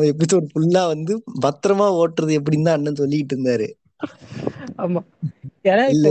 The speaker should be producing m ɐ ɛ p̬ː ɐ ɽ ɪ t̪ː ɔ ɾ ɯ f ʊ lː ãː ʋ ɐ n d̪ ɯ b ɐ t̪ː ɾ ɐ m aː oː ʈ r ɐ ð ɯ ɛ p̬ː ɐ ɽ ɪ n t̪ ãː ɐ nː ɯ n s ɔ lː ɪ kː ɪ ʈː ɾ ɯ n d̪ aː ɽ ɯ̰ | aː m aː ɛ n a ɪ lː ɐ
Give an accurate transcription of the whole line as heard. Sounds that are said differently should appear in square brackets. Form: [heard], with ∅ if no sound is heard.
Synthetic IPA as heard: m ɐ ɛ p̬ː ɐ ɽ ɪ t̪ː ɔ ɾ ɯ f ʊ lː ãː ʋ ɐ n d̪ ɯ b ɐ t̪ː ɾ ɐ m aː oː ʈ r ɐ ð ɯ ɛ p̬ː ɐ ɽ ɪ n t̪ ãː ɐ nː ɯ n s ɔ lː ɪ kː ɪ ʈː ɾ ɯ n d̪ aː [ɾ] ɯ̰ | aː m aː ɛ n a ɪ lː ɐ